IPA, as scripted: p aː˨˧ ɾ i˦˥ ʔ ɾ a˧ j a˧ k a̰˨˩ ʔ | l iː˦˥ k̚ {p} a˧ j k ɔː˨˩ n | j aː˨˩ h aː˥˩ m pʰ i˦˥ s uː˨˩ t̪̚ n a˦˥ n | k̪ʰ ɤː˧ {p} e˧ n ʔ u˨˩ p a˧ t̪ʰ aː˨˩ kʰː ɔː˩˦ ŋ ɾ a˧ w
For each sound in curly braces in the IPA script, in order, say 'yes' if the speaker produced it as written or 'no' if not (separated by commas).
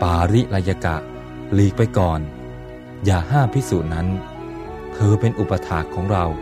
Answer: yes, yes